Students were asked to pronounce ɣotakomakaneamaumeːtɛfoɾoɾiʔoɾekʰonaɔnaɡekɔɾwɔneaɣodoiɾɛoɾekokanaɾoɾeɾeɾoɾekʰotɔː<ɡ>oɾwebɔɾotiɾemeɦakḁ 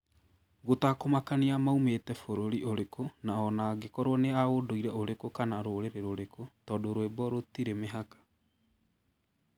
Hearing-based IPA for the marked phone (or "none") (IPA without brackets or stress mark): d